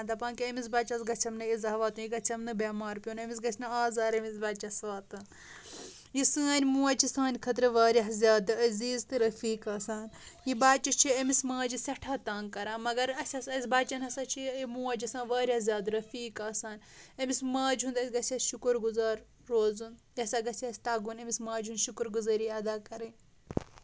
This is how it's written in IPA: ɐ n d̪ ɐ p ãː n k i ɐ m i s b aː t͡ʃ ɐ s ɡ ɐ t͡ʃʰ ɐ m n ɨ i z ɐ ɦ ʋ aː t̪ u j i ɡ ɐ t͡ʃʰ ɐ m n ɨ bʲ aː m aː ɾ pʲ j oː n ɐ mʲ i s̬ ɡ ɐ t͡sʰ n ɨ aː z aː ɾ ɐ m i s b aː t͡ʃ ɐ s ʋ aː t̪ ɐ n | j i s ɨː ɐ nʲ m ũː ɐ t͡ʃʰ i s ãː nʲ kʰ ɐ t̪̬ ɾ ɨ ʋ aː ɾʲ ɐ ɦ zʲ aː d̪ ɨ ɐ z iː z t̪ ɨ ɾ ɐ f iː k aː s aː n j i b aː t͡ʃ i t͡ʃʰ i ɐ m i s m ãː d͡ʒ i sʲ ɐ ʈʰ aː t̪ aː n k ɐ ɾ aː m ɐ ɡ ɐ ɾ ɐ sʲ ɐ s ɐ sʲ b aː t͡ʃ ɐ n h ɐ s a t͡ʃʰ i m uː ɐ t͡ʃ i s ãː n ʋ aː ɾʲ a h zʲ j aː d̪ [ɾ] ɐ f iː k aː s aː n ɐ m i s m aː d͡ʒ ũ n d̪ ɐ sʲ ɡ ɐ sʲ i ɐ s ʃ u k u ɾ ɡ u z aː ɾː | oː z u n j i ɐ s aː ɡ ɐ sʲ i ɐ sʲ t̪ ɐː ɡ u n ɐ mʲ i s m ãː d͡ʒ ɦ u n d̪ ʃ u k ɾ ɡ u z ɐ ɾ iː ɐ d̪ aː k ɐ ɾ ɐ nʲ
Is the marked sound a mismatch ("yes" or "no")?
no